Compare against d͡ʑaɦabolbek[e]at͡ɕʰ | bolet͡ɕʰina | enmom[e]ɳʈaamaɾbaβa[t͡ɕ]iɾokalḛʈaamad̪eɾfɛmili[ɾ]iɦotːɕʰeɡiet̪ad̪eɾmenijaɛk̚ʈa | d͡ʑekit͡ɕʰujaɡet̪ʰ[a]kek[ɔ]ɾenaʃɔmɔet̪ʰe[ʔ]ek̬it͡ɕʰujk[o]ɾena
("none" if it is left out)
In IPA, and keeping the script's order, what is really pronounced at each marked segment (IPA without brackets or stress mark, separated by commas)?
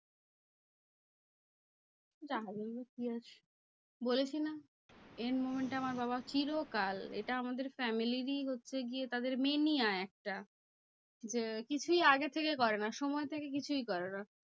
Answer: i, e, t͡ɕ, ɾ, e, ɔ, k, ɔ